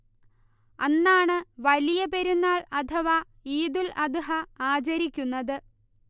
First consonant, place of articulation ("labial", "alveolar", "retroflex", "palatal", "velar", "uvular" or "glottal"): alveolar